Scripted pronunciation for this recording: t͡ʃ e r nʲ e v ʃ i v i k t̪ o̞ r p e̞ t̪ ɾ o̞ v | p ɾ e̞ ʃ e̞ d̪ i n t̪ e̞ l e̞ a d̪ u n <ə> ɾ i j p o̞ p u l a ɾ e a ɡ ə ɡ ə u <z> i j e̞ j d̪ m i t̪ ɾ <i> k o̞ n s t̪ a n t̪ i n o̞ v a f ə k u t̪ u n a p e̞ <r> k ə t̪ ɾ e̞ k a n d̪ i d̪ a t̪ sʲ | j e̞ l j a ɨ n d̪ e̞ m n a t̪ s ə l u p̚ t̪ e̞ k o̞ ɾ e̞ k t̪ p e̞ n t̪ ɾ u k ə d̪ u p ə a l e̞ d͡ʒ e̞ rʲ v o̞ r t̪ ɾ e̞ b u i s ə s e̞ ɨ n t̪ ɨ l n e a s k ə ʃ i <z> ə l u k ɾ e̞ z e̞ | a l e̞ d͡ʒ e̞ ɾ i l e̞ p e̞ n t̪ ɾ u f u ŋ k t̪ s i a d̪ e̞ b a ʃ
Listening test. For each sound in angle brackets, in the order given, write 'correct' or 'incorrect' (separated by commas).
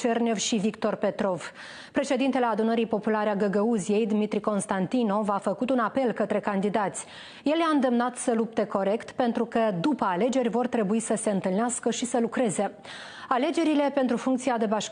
correct, correct, correct, incorrect, incorrect